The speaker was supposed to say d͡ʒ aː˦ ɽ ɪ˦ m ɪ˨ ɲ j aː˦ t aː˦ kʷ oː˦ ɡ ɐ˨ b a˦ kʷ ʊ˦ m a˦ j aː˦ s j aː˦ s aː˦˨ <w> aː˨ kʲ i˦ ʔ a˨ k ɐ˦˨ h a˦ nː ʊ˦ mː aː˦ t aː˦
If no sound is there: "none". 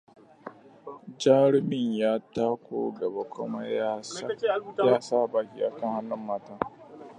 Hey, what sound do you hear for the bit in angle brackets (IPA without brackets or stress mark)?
b